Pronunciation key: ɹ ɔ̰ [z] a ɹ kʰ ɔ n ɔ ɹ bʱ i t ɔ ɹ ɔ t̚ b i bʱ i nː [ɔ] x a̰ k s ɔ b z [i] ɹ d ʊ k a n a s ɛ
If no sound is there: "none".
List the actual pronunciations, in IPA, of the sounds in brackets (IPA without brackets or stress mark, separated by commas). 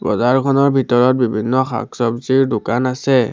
z, ɔ, i